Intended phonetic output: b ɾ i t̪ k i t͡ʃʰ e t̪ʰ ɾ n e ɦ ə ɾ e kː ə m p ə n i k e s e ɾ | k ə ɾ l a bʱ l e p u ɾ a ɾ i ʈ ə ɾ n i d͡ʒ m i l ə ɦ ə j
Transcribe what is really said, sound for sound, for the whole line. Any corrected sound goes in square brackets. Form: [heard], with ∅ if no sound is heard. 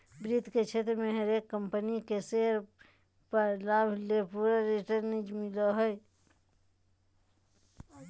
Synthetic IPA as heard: b ɾ i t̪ k [e] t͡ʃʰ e [t̪] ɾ [m] e ɦ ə ɾ e kː ə m p ə n i k e s e ɾ | [p] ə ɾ l a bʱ l e p u ɾ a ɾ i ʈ ə ɾ n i d͡ʒ m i l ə ɦ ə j